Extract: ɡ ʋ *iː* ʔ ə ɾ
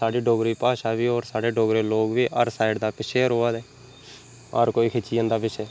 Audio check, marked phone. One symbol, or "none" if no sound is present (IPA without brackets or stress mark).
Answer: iː